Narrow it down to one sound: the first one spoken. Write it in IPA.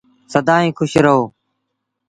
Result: s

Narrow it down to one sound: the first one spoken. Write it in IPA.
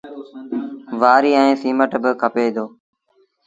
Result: ʋ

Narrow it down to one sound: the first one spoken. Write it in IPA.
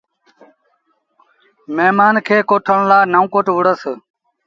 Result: m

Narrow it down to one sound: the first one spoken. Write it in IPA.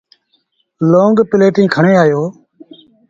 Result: l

